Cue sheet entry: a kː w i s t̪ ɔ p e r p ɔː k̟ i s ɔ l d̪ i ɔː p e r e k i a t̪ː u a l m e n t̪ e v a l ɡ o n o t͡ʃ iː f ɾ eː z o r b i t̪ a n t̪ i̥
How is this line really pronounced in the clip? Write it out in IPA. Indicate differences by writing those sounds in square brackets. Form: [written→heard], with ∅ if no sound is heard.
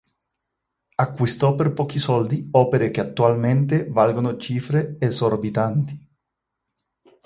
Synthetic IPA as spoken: a kː w i s t̪ ɔ p e r p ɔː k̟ i s ɔ l d̪ i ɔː p e [r→ɾ] e k [i→e] a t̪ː u a l m e n t̪ e v a l ɡ o n o t͡ʃ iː f ɾ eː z o r b i t̪ a n t̪ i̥

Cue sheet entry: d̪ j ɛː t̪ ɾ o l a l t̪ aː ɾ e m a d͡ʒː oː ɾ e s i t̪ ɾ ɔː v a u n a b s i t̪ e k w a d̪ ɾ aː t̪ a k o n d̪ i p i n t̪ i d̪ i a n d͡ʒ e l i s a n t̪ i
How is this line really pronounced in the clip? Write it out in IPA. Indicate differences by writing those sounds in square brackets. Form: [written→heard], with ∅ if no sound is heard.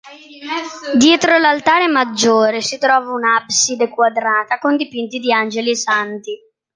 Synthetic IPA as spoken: d̪ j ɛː t̪ ɾ o l a l t̪ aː ɾ e m a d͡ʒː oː ɾ e s i t̪ ɾ ɔː v a u n a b s i [t̪→d̪] e k w a d̪ ɾ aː t̪ a k o n d̪ i p i n t̪ i d̪ i a n d͡ʒ e l i s a n t̪ i

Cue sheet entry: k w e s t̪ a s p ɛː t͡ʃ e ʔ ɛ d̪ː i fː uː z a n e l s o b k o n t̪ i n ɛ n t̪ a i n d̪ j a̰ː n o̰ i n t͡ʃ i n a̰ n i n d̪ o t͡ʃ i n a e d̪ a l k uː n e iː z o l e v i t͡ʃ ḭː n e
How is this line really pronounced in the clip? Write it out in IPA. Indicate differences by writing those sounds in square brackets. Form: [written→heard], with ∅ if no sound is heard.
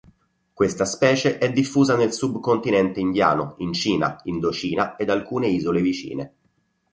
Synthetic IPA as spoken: k w e s t̪ a s p ɛː t͡ʃ e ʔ ɛ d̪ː i fː uː z a n e l s [o→u] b k o n t̪ i n ɛ n t̪ [a→e] i n d̪ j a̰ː n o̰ i n t͡ʃ [i→iː] n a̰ [n→∅] i n d̪ o t͡ʃ [i→iː] n a e d̪ a l k uː n e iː z o l e v i t͡ʃ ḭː n e

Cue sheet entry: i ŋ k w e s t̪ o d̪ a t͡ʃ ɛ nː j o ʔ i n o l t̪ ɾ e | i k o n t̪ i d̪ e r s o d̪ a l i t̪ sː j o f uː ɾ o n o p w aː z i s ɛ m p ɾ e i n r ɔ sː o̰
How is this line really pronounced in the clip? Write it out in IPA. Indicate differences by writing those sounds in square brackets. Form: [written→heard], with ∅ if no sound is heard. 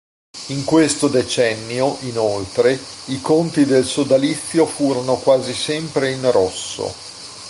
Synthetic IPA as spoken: i ŋ k w e s t̪ o d̪ [a→e] t͡ʃ ɛ nː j o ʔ i n o l t̪ ɾ e | i k o n t̪ i d̪ e [r→l] s o d̪ a l i t̪ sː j o f uː ɾ o n o [p→k] w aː z i s ɛ m p ɾ e i n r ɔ sː o̰

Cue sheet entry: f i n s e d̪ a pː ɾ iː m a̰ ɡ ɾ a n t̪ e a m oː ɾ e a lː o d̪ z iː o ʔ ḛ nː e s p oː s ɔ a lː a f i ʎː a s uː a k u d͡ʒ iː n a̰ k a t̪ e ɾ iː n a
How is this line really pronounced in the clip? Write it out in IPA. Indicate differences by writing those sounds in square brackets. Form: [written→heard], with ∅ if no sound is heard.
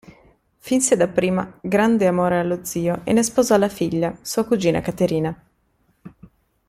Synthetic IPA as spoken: f i n s e d̪ a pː ɾ iː m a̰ ɡ ɾ a n [t̪→d̪] e a m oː ɾ e a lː o d̪ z iː o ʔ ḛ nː e s p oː [s→z] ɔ a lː a f i ʎː a s uː a k u d͡ʒ iː n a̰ k a t̪ e ɾ iː n a

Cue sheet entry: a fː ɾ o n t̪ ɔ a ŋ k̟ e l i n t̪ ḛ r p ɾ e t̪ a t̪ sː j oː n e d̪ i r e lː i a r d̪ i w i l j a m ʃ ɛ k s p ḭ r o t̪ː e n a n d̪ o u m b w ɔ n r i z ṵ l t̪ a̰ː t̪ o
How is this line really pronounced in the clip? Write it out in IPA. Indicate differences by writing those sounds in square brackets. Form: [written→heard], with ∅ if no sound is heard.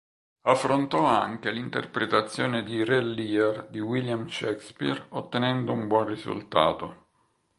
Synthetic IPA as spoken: a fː ɾ o n t̪ ɔ a ŋ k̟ e l i n t̪ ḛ r p ɾ e t̪ a t̪ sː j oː n e d̪ i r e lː i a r d̪ i w i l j a m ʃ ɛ k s p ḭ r o t̪ː e n [a→ɛ] n d̪ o u m b w ɔ n r i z ṵ l t̪ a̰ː t̪ o

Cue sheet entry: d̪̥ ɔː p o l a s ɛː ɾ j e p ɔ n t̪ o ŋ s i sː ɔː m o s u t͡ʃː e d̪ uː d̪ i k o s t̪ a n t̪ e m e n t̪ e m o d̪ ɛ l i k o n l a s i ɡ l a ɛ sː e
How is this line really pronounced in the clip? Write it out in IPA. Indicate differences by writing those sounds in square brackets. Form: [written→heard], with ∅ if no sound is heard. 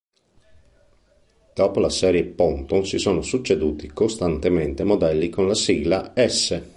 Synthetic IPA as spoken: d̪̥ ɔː p o l a s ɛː ɾ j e p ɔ n t̪ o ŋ s i [sː→s] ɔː [m→n] o s u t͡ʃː e d̪ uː [d̪→t̪] i k o s t̪ a n t̪ e m e n t̪ e m o d̪ ɛ [l→lː] i k o n l a s i ɡ l a ɛ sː e

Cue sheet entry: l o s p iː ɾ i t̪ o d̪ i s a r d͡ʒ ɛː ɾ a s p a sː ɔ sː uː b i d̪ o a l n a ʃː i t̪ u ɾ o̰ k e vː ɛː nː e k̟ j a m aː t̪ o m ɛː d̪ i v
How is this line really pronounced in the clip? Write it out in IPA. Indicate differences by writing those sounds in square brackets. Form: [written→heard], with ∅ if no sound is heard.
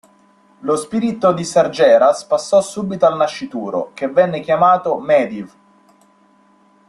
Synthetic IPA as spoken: l o s p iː ɾ i t̪ o d̪ i s a r d͡ʒ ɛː ɾ a s p a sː ɔ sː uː b i [d̪→t̪] o a l n a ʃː i t̪ [u→uː] ɾ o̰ k e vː [ɛː→ɛ] nː e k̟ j a m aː t̪ o m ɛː d̪ i v

